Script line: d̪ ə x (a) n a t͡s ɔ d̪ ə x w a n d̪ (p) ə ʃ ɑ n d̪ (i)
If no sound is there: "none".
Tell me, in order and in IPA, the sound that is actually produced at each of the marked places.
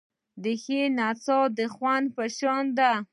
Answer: e, p, a

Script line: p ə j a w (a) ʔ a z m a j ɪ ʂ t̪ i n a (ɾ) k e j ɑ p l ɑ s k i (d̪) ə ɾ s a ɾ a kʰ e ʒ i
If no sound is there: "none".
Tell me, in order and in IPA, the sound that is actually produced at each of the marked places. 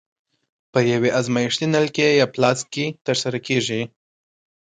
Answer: e, l, t̪

